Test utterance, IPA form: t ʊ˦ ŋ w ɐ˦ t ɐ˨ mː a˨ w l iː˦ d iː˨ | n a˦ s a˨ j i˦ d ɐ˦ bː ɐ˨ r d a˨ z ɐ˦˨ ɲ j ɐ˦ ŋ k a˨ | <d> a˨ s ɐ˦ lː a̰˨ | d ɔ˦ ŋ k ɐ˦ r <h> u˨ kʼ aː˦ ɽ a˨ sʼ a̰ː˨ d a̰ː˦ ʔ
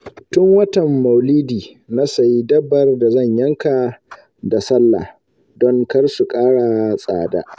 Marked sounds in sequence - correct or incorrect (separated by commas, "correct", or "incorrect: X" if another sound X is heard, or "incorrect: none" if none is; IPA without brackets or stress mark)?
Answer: correct, incorrect: s